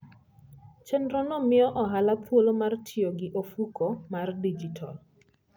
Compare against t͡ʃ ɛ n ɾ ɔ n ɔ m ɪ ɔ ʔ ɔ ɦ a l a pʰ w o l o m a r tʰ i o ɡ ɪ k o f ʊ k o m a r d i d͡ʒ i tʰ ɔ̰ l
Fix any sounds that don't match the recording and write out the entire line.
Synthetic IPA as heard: t͡ʃ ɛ n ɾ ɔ n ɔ m ɪ ɔ ʔ ɔ ɦ a l a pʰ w o l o m a r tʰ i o ɡ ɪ ʔ o f u k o m a r d i d͡ʒ i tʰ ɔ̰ l